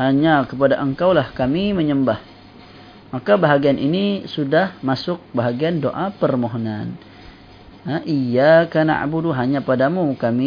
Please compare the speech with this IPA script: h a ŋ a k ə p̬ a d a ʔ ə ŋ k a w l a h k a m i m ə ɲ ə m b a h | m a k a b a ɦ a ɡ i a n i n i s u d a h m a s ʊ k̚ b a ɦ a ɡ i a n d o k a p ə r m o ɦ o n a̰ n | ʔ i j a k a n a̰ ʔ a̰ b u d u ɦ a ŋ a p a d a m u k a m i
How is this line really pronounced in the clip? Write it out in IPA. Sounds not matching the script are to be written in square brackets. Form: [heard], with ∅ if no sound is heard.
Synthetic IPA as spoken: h a [ɲ] a k ə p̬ a d a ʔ ə ŋ k a w l a h k a m i m ə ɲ ə m b a h | m a k a b a ɦ a ɡ i a n i n i s u d a h m a s ʊ k̚ b a ɦ a ɡ i a n d o [ʔ] a p ə r m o ɦ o n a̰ n | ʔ i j a k a n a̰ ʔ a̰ b u d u ɦ a [ɲ] a p a d a m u k a m i